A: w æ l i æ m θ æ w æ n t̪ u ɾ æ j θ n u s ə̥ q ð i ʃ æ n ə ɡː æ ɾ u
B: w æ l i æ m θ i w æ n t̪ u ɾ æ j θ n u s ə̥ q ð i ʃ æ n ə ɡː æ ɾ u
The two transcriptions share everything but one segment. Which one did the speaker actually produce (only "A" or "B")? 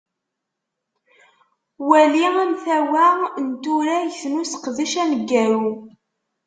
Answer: A